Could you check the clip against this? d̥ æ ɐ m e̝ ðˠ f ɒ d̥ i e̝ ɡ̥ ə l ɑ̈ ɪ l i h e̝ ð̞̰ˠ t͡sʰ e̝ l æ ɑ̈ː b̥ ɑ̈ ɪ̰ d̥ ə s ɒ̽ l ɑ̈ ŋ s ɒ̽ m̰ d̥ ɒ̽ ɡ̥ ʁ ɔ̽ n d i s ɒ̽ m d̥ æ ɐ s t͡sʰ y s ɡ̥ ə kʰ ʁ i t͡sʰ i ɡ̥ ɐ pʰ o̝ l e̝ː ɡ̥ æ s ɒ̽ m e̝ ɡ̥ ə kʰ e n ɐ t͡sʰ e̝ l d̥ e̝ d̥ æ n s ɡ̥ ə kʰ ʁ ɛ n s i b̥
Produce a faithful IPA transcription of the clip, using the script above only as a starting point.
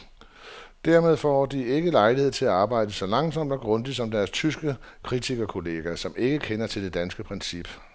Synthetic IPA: d̥ æ ɐ m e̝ ðˠ f ɒ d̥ i e̝ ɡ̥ ə l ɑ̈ ɪ l i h e̝ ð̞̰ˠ t͡sʰ e̝ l æ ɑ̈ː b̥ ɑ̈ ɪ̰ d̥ ə s ɒ̽ l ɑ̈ ŋ s ɒ̽ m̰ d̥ ɒ̽ ɡ̥ ʁ ɔ̽ n d i s ɒ̽ m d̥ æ ɐ s t͡sʰ y s ɡ̥ ə kʰ ʁ i t͡sʰ i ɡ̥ ɐ kʰ o̝ l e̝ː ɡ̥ æ s ɒ̽ m e̝ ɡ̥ ə kʰ e n ɐ t͡sʰ e̝ l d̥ e̝ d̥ æ n s ɡ̥ ə pʰ ʁ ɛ n s i b̥